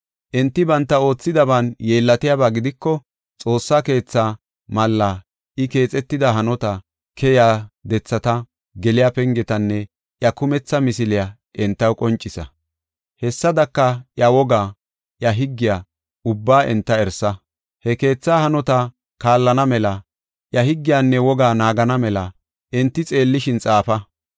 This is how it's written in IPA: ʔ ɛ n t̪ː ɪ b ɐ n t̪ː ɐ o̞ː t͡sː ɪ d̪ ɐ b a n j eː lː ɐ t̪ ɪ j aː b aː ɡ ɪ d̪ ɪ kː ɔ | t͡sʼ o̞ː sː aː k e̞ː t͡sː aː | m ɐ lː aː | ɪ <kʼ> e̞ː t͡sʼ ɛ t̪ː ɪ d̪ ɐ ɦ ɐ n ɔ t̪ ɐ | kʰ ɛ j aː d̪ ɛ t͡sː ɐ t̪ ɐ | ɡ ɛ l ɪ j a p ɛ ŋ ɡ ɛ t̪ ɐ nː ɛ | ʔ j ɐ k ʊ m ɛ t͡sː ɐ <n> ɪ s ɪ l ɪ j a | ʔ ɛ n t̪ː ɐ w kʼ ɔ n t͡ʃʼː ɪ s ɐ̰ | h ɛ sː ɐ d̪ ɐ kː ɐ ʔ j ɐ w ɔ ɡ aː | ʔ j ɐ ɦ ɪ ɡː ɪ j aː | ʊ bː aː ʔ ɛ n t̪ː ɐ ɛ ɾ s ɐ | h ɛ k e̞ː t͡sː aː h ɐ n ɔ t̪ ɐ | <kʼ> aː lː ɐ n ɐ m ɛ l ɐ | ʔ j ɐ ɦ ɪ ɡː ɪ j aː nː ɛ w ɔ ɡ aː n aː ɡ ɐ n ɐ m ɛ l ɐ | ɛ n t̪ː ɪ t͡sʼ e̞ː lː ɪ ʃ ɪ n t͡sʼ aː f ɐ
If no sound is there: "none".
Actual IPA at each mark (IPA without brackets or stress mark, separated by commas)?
k, m, k